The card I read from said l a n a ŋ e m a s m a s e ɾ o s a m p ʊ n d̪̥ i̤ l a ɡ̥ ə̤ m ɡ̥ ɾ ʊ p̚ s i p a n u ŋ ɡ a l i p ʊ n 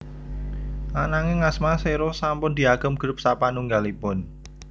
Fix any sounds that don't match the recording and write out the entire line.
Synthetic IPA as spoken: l a n a ŋ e ŋ a s m a s e ɾ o s a m p ʊ n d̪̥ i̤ a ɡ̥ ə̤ m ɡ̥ ɾ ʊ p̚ s a p a n u ŋ ɡ a l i p ʊ n